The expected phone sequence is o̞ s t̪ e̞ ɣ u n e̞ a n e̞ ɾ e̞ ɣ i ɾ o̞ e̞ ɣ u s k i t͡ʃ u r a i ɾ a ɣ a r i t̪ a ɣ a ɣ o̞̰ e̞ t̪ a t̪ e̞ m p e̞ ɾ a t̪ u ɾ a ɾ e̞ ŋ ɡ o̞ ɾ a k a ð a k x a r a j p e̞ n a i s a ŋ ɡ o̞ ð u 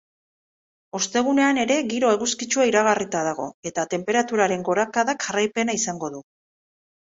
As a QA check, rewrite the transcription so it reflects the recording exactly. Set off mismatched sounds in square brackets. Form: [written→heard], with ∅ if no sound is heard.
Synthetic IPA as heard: o̞ s t̪ e̞ ɣ u n e̞ a n e̞ ɾ e̞ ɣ i ɾ o̞ e̞ ɣ u s k i t͡ʃ u [r→∅] a i ɾ a ɣ a r i t̪ a [ɣ→ð] a ɣ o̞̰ e̞ t̪ a t̪ e̞ m p e̞ ɾ a t̪ u ɾ a ɾ e̞ ŋ ɡ o̞ ɾ a k a ð a k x a r a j p e̞ n a i s a ŋ ɡ o̞ ð u